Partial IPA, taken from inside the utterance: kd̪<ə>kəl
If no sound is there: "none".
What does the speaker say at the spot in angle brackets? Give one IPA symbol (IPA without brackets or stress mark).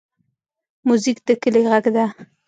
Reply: ə